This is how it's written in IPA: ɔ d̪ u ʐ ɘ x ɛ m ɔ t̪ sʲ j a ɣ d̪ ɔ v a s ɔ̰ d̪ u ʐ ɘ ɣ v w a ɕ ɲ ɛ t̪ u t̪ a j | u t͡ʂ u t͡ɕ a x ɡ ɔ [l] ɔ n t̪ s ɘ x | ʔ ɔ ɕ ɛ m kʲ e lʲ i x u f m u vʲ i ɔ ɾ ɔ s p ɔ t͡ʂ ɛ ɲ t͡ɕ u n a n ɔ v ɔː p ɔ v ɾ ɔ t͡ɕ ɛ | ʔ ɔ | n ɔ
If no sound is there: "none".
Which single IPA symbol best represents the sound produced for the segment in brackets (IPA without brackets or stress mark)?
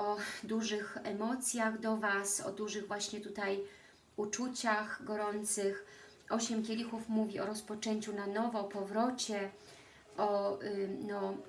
ɾ